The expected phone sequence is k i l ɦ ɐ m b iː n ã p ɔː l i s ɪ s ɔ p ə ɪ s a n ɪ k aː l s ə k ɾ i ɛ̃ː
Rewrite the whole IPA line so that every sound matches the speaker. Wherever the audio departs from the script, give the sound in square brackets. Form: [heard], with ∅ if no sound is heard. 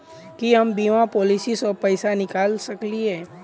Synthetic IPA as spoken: k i [∅] ɦ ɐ m b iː [m] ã p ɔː l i s [i] s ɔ p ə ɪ s a n ɪ k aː l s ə k [l] i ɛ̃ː